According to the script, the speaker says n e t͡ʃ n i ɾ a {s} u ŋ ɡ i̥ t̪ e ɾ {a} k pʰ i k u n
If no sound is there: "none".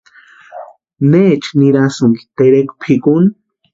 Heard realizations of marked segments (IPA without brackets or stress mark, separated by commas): s, e